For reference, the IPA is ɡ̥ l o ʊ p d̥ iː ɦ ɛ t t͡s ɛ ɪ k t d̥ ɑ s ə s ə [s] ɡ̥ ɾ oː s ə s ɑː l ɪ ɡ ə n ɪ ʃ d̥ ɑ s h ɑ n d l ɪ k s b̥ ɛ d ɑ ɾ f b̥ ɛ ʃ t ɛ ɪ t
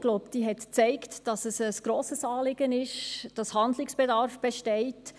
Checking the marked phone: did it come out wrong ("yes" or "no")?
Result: no